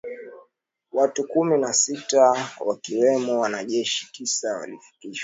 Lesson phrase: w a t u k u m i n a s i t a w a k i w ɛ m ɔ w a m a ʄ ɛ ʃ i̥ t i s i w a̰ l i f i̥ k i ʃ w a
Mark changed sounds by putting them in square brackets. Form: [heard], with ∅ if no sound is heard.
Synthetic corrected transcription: w a t u k u m i n a s i t a w a k i w ɛ m ɔ w a [n] a ʄ ɛ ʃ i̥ t i s [a] w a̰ l i f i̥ k i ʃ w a